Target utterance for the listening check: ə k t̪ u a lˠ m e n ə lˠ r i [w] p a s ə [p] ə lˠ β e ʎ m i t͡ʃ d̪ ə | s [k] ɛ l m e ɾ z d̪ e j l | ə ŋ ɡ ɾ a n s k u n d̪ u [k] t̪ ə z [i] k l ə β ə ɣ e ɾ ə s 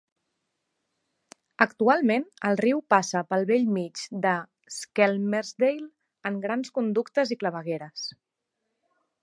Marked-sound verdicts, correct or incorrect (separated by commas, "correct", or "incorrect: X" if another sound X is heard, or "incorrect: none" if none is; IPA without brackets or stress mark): correct, correct, correct, correct, correct